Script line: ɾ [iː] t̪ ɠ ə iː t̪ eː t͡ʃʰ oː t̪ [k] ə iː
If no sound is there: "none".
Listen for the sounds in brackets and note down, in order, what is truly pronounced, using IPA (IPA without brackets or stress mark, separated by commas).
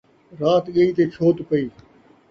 aː, p